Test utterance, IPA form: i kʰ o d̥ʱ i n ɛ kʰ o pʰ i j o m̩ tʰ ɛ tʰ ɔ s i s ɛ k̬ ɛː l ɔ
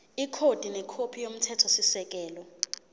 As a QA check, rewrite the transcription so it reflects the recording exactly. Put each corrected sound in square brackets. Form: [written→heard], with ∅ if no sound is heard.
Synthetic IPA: i kʰ o d̥ʱ i n ɛ kʰ o pʰ i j o m̩ tʰ ɛ tʰ ɔ s i s ɛ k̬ ɛː l ɔ